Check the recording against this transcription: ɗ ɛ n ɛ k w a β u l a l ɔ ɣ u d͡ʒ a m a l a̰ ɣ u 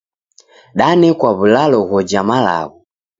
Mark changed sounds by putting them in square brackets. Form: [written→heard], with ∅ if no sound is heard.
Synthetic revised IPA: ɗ [ɛ→a] n ɛ k w a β u l a l ɔ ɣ [u→ɔ] d͡ʒ a m a l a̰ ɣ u